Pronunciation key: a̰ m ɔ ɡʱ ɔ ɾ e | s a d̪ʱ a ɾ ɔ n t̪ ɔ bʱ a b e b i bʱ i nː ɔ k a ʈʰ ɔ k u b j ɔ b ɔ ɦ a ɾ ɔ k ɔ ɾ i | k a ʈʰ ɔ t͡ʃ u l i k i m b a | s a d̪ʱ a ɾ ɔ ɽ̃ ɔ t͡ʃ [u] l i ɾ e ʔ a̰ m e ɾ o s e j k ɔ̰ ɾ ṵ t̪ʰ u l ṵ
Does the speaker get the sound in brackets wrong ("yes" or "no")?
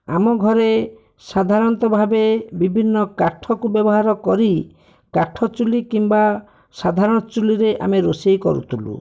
no